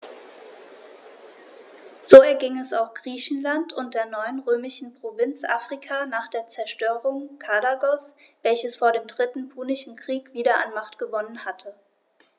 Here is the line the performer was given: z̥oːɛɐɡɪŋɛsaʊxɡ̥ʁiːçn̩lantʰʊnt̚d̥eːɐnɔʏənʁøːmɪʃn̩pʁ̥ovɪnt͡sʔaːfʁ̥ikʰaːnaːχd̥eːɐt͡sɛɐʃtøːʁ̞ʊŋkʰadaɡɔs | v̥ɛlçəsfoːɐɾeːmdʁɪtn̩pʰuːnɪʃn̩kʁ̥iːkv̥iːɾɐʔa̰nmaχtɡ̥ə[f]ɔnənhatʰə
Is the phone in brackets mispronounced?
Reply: yes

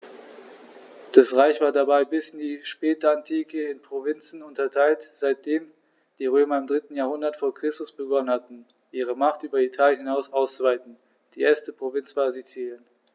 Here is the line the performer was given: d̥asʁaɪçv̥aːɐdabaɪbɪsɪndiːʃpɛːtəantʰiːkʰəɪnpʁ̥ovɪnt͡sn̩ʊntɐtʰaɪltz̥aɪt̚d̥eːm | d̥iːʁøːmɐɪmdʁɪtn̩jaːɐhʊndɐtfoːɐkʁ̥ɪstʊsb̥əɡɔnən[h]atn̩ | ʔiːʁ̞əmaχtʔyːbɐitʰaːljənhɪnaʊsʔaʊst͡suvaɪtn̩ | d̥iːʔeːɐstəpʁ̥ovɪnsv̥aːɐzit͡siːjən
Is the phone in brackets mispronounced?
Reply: no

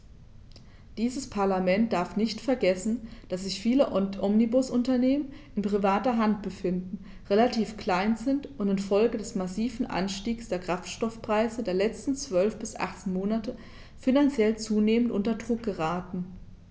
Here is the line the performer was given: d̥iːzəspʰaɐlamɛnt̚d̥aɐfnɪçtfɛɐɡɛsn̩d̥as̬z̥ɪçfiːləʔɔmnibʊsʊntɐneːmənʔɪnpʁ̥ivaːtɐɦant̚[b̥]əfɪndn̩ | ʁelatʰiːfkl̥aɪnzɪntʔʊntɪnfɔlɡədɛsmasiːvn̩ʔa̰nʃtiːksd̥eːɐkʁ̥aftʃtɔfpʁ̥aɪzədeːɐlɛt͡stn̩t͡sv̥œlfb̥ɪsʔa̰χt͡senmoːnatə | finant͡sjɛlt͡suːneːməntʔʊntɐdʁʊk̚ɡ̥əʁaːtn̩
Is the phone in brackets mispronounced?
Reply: no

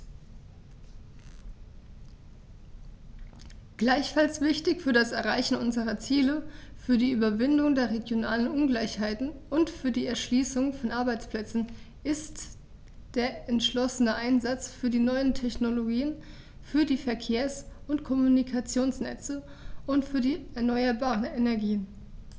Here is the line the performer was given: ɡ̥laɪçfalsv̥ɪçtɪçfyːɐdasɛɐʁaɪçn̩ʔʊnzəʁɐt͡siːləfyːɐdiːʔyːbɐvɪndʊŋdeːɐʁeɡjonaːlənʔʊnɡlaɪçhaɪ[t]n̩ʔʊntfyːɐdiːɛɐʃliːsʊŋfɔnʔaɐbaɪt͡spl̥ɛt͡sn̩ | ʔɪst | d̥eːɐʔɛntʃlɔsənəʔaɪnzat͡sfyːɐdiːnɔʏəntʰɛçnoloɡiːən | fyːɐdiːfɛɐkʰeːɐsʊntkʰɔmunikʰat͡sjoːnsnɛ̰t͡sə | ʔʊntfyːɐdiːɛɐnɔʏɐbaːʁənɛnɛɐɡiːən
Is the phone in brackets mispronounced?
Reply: no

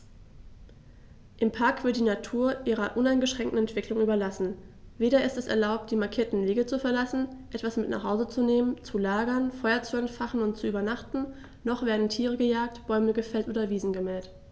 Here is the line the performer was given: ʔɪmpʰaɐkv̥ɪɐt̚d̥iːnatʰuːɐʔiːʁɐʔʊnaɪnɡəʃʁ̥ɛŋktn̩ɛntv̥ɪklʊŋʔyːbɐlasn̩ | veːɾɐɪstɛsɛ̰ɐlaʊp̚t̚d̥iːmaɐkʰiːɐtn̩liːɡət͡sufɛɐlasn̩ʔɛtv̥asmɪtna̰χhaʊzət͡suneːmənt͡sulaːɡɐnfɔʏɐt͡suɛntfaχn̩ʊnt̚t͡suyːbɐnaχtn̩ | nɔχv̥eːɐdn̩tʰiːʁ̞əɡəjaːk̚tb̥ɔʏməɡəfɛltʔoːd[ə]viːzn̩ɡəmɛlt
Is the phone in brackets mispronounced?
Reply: yes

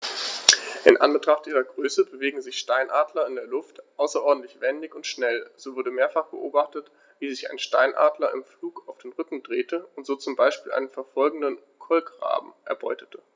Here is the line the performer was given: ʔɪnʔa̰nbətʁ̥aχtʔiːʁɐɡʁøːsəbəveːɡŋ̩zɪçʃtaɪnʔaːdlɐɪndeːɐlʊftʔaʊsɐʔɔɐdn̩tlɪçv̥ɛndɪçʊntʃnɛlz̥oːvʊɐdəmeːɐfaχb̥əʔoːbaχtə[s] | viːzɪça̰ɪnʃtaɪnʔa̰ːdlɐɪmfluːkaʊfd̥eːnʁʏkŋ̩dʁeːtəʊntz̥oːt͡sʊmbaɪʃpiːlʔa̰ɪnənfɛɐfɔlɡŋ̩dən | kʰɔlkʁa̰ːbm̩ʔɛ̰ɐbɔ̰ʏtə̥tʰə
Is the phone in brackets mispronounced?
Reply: yes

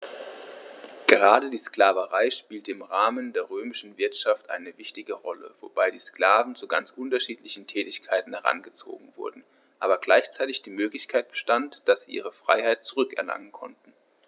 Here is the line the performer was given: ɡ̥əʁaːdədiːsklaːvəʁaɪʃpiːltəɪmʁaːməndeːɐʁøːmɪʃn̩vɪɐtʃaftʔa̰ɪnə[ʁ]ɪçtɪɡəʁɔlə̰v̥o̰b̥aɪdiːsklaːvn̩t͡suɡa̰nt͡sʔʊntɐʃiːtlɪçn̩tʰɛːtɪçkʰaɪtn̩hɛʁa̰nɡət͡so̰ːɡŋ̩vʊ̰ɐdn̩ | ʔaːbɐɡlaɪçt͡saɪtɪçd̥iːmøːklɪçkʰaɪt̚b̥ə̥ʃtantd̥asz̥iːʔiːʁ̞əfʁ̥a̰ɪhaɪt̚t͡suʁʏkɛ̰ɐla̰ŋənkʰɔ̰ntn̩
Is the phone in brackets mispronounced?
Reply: yes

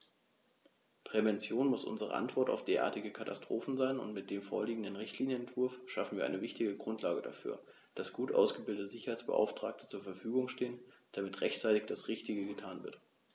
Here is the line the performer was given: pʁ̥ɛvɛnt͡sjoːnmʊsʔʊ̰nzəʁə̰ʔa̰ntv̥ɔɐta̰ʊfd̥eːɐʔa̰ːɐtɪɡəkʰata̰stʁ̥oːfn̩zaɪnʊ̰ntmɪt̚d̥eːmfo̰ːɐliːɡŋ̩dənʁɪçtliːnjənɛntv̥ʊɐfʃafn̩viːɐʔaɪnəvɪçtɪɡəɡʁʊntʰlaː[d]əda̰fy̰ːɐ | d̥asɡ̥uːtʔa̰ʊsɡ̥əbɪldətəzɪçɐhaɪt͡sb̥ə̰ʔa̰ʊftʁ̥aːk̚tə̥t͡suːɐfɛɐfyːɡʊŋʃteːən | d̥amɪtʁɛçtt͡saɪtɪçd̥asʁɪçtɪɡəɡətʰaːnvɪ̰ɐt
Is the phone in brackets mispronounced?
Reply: yes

